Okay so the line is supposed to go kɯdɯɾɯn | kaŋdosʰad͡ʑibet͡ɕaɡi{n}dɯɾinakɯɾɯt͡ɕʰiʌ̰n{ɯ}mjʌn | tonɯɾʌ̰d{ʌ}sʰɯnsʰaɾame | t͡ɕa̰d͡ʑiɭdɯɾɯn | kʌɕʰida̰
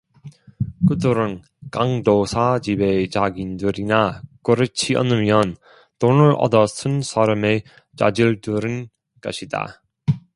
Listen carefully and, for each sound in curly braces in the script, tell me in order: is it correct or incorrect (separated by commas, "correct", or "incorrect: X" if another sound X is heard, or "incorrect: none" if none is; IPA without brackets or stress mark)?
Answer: correct, correct, correct